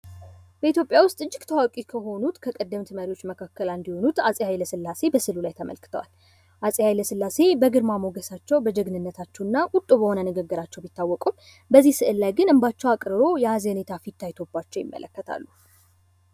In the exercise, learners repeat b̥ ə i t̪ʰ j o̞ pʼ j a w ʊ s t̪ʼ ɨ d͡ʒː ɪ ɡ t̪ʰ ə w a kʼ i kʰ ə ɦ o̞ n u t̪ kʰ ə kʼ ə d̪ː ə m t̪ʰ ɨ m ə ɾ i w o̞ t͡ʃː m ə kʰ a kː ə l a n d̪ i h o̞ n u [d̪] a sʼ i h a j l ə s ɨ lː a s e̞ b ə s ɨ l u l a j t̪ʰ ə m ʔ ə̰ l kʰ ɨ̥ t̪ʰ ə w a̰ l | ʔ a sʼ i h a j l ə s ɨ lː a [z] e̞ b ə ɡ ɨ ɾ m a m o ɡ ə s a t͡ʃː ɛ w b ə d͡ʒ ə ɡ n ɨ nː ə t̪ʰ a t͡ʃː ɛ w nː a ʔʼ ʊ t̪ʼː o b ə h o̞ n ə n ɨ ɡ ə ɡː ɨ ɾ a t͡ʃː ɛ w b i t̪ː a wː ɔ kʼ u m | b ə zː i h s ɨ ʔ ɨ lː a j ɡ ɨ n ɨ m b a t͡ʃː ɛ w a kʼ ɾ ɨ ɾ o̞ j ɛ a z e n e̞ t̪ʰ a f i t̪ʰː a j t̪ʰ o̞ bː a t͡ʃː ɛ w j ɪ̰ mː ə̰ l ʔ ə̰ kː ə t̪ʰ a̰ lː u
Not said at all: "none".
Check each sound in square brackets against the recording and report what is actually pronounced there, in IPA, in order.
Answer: t̪, s

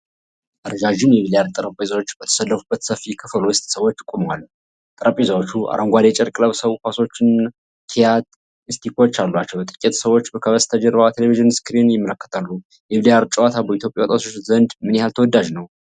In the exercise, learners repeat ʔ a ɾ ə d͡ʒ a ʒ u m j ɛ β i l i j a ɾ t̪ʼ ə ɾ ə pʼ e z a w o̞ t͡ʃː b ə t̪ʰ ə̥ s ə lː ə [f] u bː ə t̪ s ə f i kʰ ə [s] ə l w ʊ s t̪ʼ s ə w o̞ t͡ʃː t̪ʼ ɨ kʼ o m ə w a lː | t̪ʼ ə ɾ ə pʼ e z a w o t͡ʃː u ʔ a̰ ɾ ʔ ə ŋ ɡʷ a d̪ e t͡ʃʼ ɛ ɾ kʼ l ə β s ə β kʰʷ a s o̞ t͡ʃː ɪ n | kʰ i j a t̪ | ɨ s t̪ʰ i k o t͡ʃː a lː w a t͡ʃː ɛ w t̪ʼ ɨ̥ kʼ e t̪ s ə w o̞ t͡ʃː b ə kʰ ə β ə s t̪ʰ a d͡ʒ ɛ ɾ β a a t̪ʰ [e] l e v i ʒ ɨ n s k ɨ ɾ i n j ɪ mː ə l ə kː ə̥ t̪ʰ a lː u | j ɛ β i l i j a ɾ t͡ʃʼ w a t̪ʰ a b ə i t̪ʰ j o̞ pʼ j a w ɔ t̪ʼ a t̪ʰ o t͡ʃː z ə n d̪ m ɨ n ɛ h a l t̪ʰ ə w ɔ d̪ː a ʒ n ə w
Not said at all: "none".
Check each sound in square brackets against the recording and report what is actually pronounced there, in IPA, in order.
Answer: f, f, e

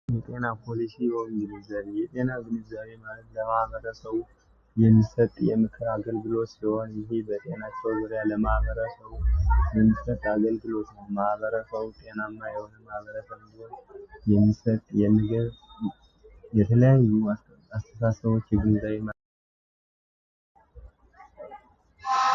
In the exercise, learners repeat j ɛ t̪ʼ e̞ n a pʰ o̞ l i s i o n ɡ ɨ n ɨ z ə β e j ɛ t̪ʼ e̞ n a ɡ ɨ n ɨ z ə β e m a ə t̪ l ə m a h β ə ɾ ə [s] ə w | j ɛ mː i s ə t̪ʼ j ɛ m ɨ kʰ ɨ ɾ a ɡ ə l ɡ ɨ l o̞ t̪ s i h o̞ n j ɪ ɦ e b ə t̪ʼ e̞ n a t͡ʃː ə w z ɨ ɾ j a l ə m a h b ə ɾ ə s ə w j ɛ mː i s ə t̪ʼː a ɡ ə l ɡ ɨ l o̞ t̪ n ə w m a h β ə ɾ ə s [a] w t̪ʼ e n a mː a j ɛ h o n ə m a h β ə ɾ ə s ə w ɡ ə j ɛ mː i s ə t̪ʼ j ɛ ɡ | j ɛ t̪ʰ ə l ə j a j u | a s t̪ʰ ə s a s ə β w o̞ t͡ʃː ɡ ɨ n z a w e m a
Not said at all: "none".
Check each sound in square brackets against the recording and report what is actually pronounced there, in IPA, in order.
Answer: s, ə

